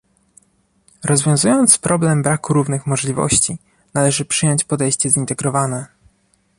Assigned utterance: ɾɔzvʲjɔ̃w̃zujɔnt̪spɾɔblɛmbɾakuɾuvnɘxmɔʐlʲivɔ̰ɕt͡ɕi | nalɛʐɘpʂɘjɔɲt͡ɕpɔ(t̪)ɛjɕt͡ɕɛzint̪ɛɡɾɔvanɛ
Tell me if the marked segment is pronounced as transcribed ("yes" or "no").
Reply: no